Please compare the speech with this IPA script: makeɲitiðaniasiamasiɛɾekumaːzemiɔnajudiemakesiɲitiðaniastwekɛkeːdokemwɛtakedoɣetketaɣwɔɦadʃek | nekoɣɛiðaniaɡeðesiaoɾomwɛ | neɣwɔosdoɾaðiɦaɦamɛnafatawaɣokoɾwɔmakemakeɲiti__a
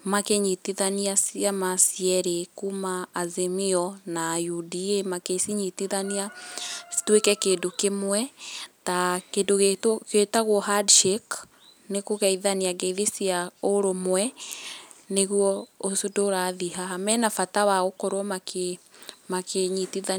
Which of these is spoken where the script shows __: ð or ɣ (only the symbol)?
ð